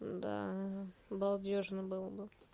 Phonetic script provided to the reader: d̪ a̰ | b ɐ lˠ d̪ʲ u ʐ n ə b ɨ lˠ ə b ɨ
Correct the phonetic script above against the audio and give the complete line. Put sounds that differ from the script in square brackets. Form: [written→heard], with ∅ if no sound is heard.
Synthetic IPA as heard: d̪ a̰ | b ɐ lˠ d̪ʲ [u→o] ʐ n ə b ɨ lˠ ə b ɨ